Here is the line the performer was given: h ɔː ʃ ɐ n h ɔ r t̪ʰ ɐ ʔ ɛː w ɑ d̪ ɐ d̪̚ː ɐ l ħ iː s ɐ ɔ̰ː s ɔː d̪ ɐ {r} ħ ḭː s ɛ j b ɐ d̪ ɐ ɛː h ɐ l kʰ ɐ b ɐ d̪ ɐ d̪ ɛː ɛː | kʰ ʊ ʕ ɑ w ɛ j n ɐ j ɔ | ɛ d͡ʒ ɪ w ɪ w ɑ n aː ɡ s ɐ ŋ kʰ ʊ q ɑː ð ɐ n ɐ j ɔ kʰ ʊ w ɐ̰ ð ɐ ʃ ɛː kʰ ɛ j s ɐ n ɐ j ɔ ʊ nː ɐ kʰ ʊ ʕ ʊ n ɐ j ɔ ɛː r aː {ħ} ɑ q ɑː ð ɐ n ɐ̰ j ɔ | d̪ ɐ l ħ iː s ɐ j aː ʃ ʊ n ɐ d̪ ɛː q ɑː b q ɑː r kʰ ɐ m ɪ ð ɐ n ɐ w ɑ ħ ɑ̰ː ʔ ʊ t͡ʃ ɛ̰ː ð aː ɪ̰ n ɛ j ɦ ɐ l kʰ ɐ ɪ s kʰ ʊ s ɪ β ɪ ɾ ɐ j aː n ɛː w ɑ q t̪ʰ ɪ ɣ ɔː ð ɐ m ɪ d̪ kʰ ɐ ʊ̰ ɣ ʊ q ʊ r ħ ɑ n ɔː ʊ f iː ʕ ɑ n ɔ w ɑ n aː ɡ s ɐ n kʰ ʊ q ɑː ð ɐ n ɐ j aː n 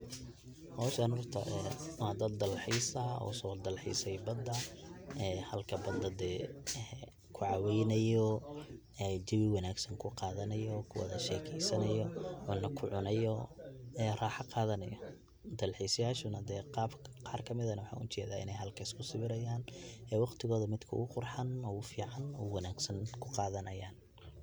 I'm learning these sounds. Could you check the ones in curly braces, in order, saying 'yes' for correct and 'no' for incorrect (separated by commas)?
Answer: no, yes